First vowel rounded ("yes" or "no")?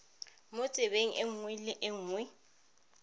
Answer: yes